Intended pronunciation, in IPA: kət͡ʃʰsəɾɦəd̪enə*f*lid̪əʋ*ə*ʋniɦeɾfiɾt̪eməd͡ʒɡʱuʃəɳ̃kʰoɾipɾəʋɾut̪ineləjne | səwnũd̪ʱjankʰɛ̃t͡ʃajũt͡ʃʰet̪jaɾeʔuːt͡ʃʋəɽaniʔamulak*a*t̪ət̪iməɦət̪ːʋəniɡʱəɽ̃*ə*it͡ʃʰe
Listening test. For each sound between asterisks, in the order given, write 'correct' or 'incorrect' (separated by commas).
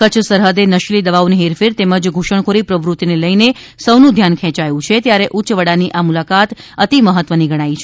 incorrect, incorrect, correct, incorrect